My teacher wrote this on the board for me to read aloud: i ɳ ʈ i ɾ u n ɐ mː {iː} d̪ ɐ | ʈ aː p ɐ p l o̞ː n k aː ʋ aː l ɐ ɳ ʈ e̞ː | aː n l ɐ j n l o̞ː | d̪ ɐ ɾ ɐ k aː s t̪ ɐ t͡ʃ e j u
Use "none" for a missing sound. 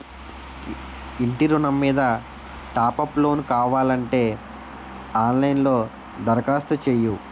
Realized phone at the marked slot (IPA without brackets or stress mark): iː